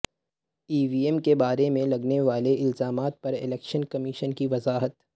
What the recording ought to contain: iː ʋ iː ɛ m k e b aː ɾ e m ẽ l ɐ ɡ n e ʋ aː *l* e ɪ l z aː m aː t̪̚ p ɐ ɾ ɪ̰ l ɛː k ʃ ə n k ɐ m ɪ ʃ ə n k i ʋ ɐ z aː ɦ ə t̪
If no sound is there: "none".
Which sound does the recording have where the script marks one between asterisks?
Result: l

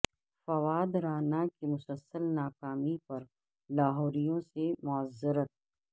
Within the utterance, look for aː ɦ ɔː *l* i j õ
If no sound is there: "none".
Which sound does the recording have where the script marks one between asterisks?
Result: ɾ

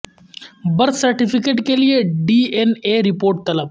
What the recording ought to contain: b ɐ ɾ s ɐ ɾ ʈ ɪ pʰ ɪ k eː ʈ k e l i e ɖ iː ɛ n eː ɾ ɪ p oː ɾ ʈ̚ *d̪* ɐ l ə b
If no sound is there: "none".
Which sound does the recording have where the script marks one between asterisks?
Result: t̪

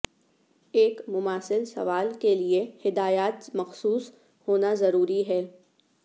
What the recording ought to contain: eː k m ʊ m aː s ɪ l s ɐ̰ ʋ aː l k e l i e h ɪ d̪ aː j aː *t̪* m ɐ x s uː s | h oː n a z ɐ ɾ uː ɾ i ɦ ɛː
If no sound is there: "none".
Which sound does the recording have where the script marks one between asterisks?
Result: t̪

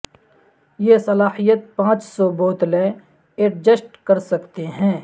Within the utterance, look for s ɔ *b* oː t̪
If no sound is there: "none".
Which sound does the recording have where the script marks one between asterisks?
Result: b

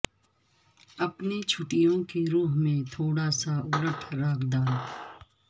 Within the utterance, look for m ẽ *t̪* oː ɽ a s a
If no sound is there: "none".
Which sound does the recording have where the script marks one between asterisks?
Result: t̪ʰ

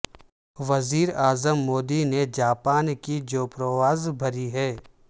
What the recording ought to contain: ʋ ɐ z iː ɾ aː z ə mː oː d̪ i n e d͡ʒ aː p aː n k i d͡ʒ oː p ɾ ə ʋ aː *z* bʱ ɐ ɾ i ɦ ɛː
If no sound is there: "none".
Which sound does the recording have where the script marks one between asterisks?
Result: z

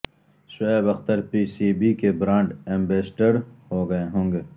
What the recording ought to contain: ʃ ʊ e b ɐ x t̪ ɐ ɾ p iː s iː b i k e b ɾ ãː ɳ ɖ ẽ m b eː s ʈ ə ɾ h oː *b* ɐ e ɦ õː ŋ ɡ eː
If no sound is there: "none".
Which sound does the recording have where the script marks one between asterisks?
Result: ɡ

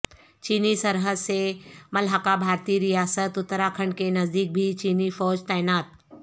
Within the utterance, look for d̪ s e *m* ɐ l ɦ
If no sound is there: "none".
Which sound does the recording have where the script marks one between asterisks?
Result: m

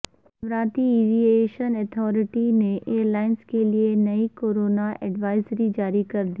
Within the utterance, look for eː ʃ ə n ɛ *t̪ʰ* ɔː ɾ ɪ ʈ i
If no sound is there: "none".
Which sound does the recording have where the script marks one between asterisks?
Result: t̪ʰ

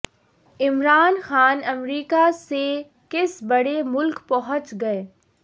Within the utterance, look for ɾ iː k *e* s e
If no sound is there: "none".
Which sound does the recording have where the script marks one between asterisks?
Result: a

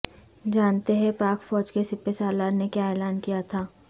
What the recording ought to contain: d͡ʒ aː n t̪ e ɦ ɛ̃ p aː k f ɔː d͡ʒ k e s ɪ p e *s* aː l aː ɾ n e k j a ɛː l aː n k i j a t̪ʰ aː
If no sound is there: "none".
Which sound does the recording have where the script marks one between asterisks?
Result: s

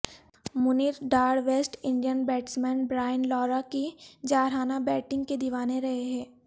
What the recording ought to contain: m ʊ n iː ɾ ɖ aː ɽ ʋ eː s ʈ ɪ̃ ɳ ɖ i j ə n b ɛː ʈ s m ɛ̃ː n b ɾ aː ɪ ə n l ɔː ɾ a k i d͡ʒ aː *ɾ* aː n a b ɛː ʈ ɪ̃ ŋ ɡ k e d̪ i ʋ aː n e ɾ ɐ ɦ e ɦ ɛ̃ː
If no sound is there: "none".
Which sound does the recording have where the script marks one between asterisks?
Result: ɾ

